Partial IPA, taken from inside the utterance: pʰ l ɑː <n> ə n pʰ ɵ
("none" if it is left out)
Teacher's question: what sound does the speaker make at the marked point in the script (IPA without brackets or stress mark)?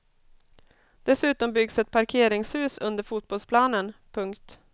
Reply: n